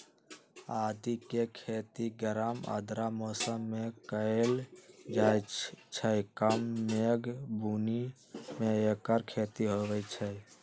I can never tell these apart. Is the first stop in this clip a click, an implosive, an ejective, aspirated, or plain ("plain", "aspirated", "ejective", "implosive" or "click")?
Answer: plain